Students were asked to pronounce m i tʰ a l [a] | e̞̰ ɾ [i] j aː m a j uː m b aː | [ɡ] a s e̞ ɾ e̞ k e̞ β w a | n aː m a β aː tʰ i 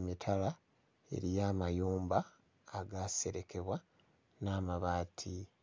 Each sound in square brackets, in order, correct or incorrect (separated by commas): correct, correct, correct